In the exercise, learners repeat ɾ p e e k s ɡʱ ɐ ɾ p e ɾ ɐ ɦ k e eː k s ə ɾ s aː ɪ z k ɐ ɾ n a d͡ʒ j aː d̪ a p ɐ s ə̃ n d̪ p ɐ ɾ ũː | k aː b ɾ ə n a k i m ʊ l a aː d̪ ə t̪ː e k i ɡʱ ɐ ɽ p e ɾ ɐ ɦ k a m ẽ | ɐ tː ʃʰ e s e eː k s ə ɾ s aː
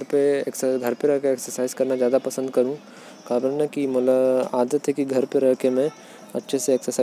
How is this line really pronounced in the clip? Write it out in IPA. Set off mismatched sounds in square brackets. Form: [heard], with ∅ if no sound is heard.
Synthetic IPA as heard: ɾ p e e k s ɡʱ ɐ ɾ p e ɾ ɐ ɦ k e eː k s ə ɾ s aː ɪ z k ɐ ɾ n a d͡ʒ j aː d̪ a p ɐ s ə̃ n d̪ [k] ɐ ɾ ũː | k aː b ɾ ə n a k i m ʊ l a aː d̪ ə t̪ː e k i ɡʱ ɐ [ɾ] p e ɾ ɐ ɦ k [e] m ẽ | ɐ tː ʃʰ e s e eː k s ə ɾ s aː